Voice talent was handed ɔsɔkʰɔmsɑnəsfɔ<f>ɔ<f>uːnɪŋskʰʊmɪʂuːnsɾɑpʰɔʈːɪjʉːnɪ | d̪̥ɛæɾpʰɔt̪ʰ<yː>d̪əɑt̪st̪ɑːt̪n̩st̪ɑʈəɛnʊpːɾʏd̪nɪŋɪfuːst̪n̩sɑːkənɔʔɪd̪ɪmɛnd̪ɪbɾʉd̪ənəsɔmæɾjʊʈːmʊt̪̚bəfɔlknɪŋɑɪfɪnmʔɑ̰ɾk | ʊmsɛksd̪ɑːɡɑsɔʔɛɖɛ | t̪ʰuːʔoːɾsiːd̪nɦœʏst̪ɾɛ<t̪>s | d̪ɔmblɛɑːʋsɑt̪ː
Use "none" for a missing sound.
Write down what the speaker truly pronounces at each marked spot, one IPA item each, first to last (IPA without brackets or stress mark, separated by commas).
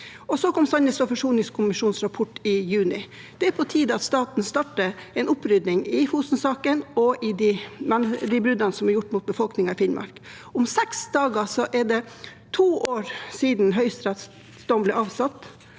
f, ʂ, iː, t̪